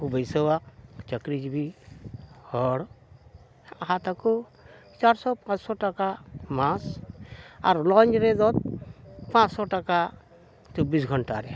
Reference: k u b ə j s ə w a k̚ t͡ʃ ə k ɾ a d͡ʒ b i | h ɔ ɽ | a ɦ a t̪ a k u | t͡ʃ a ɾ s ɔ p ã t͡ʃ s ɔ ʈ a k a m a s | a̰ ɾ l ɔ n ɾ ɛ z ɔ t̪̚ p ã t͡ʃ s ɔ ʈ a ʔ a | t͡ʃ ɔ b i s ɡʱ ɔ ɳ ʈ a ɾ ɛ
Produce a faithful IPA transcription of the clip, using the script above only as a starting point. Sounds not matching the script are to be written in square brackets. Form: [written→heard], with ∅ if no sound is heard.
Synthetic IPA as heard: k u b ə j s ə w a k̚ t͡ʃ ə k ɾ [a→i] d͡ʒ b i | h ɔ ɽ | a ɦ a t̪ a k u | t͡ʃ a ɾ s ɔ p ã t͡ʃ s ɔ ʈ a k a m a s | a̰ ɾ l ɔ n ɾ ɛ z ɔ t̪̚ p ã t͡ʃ s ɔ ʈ a [ʔ→k] a | t͡ʃ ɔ b i s ɡʱ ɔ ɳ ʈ a ɾ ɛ